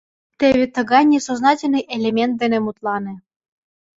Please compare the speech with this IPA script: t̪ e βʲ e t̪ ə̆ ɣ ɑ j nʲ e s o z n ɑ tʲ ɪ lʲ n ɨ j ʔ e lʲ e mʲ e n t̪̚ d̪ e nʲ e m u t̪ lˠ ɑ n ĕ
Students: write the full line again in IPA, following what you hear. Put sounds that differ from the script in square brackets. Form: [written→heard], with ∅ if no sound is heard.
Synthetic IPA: t̪ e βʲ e t̪ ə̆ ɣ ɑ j nʲ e s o z n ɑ tʲ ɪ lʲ n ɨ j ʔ e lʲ e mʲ e n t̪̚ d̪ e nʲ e m u t̪ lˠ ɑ n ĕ